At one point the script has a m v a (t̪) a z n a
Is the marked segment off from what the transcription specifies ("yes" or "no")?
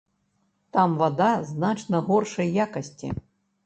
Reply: yes